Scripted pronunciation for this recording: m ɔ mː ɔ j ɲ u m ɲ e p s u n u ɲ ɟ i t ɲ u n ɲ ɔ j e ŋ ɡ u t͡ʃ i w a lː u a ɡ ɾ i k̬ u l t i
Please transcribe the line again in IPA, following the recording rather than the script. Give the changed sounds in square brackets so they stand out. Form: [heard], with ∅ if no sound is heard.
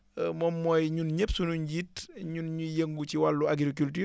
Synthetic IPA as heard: m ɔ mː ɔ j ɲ u [n] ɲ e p s u n u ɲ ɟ i t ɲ u n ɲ [u] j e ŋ ɡ u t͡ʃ i w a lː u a ɡ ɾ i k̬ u l t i